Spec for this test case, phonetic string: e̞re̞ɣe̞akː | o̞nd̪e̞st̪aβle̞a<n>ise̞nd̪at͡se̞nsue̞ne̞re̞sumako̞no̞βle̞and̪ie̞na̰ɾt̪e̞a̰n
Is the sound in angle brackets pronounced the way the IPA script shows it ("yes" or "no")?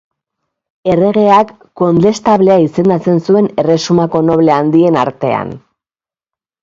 no